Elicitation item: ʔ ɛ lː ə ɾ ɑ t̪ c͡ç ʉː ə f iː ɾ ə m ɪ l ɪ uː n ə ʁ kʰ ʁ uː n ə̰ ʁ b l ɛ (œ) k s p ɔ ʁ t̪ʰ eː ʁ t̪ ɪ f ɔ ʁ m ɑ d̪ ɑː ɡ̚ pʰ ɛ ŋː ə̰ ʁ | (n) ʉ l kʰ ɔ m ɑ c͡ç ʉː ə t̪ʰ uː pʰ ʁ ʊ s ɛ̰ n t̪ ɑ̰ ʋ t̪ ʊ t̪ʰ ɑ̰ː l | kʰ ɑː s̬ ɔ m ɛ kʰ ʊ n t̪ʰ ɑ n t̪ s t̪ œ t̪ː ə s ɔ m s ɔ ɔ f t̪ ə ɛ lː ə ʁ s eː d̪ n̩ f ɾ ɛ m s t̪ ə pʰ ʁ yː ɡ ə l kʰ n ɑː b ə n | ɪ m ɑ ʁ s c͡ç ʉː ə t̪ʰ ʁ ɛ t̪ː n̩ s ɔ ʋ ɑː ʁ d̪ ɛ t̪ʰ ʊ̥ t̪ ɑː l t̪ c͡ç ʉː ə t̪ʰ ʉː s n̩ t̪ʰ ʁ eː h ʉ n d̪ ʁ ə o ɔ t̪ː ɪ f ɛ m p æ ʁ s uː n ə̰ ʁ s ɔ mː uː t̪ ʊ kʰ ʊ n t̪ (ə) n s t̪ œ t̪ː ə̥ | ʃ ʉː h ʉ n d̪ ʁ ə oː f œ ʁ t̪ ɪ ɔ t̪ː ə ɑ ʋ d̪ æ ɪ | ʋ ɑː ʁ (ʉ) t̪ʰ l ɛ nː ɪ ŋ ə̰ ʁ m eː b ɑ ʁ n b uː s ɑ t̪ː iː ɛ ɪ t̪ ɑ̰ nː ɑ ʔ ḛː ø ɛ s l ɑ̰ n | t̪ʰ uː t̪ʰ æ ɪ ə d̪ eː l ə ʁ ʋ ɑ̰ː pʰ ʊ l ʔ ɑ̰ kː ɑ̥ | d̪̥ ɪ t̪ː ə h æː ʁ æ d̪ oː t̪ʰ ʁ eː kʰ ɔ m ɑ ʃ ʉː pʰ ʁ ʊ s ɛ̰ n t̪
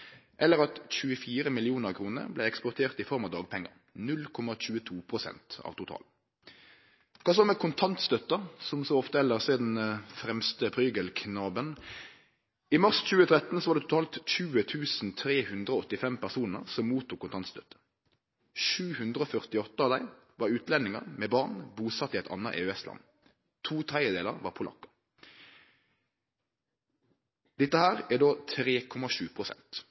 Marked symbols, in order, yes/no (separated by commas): no, yes, no, no